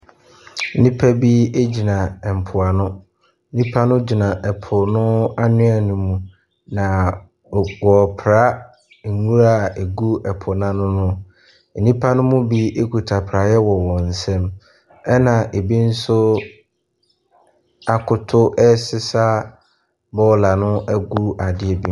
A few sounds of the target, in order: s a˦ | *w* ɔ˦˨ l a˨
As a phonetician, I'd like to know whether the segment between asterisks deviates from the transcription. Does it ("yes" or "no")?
yes